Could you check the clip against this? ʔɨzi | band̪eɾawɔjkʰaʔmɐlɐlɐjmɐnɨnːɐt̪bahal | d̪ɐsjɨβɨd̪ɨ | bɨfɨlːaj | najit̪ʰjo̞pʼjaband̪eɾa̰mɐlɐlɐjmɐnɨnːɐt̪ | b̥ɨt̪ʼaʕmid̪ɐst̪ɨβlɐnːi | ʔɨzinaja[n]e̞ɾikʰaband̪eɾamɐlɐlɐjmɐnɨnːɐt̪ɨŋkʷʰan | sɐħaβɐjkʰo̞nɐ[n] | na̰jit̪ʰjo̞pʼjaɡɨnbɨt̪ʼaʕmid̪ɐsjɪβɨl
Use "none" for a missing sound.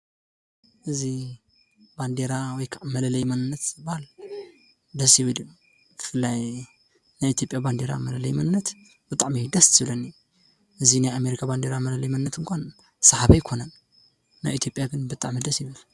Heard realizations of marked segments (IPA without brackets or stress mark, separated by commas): m, n